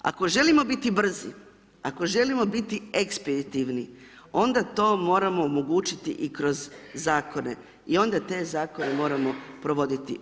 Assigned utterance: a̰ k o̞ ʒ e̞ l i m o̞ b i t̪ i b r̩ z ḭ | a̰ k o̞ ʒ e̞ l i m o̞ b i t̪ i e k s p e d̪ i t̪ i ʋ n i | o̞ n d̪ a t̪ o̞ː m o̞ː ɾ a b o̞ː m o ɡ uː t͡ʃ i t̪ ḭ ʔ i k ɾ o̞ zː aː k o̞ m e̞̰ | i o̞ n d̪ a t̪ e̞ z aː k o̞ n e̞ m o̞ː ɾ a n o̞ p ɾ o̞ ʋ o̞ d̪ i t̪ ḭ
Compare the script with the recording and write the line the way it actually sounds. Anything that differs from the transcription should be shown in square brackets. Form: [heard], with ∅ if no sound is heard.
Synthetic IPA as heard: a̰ k o̞ ʒ e̞ l i m o̞ b i t̪ i b r̩ z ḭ | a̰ k o̞ ʒ e̞ l i m o̞ b i t̪ i e k s p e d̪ i t̪ i ʋ n i | o̞ n d̪ a t̪ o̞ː m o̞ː ɾ a [m] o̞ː m o ɡ uː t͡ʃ i t̪ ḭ ʔ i k ɾ o̞ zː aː k o̞ [n] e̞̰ | i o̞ n d̪ a t̪ e̞ z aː k o̞ n e̞ m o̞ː ɾ a [m] o̞ p ɾ o̞ ʋ o̞ d̪ i t̪ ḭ

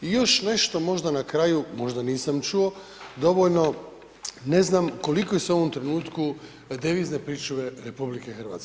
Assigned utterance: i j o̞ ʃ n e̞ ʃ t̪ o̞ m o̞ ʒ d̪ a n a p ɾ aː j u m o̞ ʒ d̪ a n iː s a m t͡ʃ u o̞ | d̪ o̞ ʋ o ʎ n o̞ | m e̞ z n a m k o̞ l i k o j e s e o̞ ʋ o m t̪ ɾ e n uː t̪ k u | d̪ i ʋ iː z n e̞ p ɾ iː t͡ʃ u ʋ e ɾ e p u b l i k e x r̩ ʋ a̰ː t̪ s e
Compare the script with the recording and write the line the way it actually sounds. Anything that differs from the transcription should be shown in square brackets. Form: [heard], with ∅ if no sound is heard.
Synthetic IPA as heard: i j o̞ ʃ n e̞ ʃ t̪ o̞ m o̞ ʒ d̪ a n a [k] ɾ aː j u m o̞ ʒ d̪ a n iː s a m t͡ʃ u o̞ | d̪ o̞ ʋ o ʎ n o̞ | [n] e̞ z n a m k o̞ l i k o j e s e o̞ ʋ o m t̪ ɾ e n uː t̪ k u | d̪ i ʋ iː z n e̞ p ɾ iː t͡ʃ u ʋ e ɾ e p u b l i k e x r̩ ʋ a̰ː t̪ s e

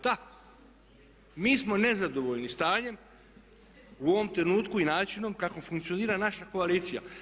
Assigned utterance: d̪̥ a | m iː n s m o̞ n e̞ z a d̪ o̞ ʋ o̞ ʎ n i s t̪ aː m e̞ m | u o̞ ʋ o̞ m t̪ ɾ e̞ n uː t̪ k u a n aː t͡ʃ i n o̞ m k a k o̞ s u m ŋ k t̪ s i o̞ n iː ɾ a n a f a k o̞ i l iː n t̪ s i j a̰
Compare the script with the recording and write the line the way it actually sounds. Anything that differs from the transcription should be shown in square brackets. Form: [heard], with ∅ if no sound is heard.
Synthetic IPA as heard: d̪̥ a | m iː [∅] s m o̞ n e̞ z a d̪ o̞ ʋ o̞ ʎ n i s t̪ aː [ɲ] e̞ m | u o̞ ʋ o̞ m t̪ ɾ e̞ n uː t̪ k u [i] n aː t͡ʃ i n o̞ m k a k o̞ [f] u [∅] ŋ k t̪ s i o̞ n iː ɾ a n a [ʃ] a k o̞ [a] l iː [∅] t̪ s i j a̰

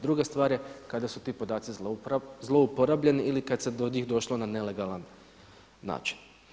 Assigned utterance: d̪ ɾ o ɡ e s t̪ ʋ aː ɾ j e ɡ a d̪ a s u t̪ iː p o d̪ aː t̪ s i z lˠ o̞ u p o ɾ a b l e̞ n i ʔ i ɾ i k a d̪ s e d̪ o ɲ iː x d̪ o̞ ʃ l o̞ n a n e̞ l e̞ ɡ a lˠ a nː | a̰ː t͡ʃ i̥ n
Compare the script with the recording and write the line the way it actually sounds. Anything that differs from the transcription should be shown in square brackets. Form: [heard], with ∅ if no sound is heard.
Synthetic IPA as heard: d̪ ɾ [u] ɡ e s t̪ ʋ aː ɾ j e [k] a d̪ a s u t̪ iː p o d̪ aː t̪ s i z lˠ o̞ u p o ɾ a b [ʎ] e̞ n i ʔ i [l] i k a d̪ s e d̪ o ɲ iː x d̪ o̞ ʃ l o̞ n a n e̞ l e̞ ɡ a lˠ a nː | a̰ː t͡ʃ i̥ n

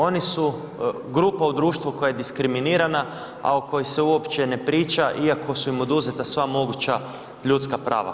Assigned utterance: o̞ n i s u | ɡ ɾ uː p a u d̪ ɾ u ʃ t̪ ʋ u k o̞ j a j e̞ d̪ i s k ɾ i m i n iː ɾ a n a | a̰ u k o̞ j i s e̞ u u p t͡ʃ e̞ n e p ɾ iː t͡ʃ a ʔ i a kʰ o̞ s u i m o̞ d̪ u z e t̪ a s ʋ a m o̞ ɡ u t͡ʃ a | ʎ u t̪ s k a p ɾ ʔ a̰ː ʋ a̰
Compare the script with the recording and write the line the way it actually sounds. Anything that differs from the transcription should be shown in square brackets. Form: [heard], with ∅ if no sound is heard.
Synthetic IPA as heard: o̞ n i s u | ɡ ɾ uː p a u d̪ ɾ [uː] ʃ t̪ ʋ u k o̞ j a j e̞ d̪ i s k ɾ i m i n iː ɾ a n a | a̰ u k o̞ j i s e̞ u [o] p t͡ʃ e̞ n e p ɾ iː t͡ʃ a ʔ i a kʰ o̞ s u i m o̞ d̪ u z e t̪ a s ʋ a m o̞ ɡ u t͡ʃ a | ʎ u t̪ s k a p ɾ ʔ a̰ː ʋ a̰

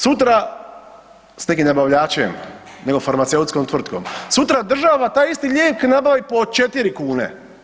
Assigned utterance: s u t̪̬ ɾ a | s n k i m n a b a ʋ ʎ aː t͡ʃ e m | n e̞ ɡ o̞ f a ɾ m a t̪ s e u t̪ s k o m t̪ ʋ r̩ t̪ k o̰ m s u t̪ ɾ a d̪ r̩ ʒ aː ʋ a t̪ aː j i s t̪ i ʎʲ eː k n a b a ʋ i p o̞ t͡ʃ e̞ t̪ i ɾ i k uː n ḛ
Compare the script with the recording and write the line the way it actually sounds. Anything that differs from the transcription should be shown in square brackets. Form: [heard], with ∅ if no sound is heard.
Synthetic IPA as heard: s u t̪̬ ɾ a | s n k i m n a b a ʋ ʎ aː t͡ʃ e m | n e̞ ɡ o̞ f a ɾ m a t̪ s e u t̪ s k o m t̪ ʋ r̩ t̪ k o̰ m s u t̪ ɾ a d̪ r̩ ʒ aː ʋ a t̪ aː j i s t̪ i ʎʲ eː k n a b a ʋ i p o̞ t͡ʃ e̞ t̪ i ɾ i k uː n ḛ

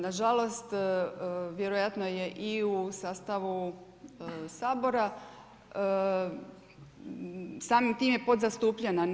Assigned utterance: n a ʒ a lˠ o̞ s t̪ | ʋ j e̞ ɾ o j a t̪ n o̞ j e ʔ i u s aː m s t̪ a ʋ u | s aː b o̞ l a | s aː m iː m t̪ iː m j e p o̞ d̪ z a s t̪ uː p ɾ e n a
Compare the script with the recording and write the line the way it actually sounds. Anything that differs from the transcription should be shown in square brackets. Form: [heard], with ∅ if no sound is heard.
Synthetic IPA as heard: n a ʒ a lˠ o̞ s t̪ | ʋ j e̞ ɾ o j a t̪ n o̞ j e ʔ i u s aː [∅] s t̪ a ʋ u | s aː b o̞ [ɾ] a | s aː m [i] m t̪ iː m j e p o̞ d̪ z a s t̪ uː p [ʎ] e n a

